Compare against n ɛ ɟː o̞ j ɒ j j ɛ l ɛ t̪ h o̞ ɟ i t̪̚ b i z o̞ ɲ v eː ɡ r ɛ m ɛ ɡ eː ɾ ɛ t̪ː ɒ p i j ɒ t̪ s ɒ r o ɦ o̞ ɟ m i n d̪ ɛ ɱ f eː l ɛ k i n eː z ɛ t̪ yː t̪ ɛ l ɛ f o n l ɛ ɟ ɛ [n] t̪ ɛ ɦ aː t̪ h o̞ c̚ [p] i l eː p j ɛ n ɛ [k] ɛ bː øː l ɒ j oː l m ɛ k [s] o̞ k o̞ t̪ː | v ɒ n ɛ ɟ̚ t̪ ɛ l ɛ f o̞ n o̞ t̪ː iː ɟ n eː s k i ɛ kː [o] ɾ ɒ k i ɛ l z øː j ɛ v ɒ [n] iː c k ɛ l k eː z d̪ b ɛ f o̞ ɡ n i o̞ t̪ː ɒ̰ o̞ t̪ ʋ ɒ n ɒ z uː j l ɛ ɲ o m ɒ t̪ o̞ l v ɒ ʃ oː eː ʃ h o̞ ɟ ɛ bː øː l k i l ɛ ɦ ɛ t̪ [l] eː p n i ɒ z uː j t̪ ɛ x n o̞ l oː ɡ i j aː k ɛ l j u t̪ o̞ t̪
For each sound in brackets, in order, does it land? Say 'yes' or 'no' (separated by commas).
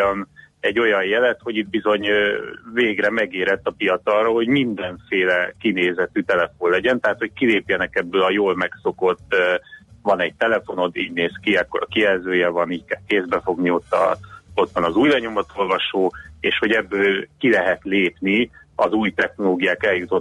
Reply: yes, no, yes, yes, yes, yes, yes